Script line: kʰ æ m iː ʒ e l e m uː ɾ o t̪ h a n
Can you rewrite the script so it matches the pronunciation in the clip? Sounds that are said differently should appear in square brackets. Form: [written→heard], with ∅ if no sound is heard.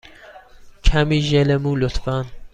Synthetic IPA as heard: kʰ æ m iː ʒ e l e m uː [ɾ→l] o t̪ [h→f] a n